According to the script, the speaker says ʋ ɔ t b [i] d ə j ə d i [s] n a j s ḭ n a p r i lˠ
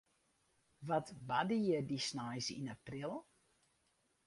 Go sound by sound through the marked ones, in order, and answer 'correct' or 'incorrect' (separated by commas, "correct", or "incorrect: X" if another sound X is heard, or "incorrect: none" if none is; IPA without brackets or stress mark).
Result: incorrect: a, correct